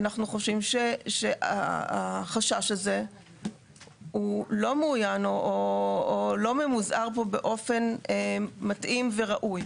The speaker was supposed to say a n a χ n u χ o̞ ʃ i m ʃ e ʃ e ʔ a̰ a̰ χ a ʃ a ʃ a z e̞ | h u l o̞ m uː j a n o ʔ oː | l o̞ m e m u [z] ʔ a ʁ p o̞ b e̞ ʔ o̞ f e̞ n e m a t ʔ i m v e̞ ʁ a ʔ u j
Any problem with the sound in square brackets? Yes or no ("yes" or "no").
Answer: no